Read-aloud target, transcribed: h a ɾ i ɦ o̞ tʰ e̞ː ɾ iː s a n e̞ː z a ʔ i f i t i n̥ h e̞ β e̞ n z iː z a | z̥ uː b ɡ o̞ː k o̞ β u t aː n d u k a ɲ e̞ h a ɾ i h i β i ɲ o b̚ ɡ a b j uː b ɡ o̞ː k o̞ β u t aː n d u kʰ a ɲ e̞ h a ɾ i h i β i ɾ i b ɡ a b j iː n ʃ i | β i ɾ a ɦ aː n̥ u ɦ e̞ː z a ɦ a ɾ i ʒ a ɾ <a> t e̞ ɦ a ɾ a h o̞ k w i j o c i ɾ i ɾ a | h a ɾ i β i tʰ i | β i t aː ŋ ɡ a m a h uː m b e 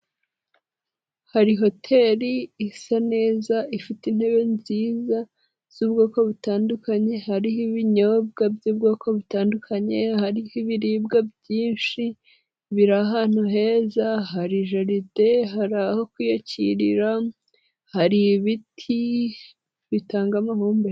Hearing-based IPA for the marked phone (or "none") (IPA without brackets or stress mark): i